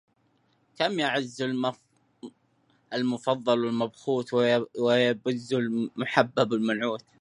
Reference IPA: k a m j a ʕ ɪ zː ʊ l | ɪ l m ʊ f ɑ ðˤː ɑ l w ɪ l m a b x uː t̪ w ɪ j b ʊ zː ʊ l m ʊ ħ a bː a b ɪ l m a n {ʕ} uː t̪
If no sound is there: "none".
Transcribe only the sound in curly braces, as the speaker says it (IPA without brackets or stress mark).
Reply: ʕ